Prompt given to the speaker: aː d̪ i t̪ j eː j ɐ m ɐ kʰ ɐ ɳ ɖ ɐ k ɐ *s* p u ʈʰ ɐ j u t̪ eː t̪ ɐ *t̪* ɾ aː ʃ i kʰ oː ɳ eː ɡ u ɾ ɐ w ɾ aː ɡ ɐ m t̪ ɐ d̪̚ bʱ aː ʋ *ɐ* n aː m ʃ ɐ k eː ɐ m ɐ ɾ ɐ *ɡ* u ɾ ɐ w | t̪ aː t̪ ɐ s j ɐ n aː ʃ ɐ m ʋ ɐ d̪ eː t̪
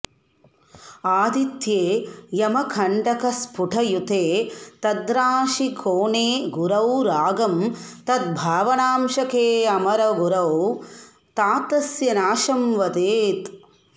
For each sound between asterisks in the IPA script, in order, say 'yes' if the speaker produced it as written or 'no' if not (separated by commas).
yes, no, yes, yes